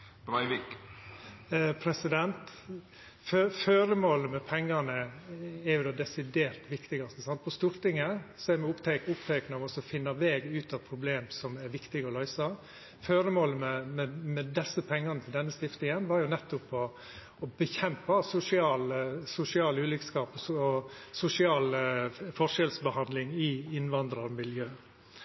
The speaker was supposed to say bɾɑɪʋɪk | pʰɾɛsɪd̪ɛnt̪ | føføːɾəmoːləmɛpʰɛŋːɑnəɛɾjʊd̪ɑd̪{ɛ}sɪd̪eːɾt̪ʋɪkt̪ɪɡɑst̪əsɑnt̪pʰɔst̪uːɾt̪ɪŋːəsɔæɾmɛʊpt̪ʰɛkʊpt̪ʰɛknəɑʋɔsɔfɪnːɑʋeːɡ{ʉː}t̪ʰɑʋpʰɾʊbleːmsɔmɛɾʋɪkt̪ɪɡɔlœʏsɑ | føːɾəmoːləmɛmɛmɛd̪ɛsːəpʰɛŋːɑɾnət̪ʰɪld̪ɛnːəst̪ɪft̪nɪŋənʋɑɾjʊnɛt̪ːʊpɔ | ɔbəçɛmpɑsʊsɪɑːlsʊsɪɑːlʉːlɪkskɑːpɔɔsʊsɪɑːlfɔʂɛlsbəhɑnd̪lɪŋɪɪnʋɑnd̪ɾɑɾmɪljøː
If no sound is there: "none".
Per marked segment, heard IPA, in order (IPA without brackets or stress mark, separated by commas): ɛ, ʉː